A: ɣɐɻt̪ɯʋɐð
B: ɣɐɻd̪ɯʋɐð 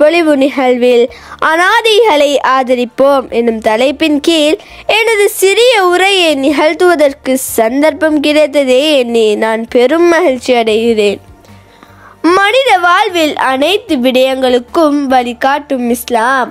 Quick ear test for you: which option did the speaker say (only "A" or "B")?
A